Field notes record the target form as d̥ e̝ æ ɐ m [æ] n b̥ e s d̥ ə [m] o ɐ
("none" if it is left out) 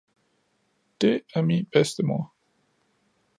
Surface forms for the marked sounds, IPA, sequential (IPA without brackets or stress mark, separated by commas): i, m